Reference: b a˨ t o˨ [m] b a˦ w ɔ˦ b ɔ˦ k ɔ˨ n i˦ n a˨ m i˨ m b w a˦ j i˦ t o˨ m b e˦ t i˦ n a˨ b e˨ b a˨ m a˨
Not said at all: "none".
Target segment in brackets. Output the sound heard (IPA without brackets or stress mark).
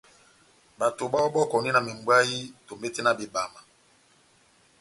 none